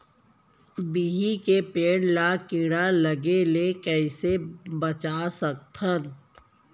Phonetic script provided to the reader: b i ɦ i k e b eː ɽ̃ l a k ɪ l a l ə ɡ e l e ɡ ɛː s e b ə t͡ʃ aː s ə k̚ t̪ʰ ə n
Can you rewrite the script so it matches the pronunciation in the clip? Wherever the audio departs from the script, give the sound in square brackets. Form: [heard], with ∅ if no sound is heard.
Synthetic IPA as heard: b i ɦ i k e [p] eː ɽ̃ l a k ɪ [ɽ] a l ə ɡ e l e [k] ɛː s e b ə t͡ʃ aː s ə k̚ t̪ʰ ə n